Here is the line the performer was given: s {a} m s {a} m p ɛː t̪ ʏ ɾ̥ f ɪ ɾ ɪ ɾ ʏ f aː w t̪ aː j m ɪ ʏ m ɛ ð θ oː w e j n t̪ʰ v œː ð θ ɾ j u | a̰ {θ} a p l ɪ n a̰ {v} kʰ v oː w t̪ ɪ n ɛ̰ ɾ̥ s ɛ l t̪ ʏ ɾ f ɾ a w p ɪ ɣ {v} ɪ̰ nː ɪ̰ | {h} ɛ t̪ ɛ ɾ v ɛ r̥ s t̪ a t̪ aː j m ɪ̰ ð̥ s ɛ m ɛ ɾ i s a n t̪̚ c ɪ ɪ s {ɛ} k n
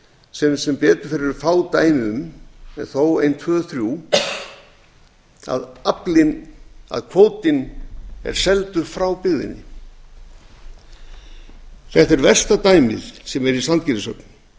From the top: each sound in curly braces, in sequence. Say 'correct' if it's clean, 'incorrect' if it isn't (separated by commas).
incorrect, incorrect, incorrect, incorrect, incorrect, incorrect, incorrect